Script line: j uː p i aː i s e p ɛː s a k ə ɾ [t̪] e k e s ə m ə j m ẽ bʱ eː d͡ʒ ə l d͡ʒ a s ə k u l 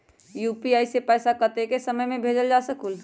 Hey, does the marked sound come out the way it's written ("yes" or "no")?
yes